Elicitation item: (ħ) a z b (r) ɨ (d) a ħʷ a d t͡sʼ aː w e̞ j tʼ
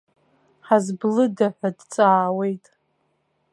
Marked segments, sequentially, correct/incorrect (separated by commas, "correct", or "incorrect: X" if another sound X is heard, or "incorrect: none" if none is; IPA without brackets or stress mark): correct, incorrect: l, correct